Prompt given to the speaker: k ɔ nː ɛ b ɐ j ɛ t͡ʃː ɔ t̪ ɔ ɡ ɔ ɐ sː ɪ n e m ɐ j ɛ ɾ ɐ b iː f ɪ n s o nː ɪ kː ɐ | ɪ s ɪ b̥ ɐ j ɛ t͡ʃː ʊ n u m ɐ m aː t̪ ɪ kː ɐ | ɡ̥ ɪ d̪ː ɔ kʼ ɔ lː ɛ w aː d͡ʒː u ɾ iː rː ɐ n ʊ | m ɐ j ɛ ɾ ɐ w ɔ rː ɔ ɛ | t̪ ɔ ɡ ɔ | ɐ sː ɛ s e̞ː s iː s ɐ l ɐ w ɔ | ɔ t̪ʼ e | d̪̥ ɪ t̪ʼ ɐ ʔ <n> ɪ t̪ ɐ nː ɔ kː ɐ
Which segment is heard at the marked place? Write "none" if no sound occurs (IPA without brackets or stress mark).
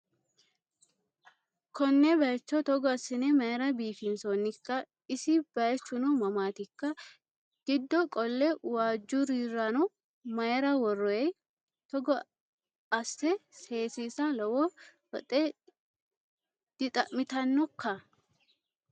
m